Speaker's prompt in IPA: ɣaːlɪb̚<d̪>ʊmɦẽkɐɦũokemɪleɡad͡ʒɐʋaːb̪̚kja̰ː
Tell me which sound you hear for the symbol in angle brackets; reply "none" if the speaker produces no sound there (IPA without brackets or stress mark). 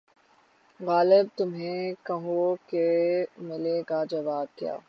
t̪